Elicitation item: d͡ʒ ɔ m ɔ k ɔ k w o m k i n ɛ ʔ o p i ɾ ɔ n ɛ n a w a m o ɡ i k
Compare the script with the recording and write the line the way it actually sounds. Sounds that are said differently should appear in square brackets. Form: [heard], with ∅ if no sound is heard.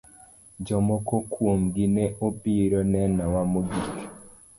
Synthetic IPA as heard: d͡ʒ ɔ m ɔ k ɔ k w o m [ɡ] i n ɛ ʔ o p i ɾ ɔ n ɛ n a w a m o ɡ i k